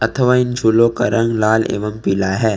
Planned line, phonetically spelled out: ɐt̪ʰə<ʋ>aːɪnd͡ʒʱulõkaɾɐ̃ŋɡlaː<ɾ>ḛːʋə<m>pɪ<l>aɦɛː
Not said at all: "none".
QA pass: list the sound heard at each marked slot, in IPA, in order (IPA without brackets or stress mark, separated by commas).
ʋ, l, m, l